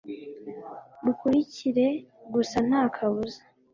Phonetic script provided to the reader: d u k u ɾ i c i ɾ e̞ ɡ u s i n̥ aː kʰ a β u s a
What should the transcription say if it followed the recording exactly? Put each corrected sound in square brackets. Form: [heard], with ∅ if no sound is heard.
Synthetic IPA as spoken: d u k u ɾ i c i ɾ e̞ ɡ u s [a] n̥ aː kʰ a β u [z] a